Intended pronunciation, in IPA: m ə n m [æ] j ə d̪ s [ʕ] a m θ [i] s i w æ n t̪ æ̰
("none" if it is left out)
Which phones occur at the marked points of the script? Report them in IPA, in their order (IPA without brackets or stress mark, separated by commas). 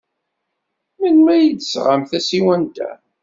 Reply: æ, ʁ, æ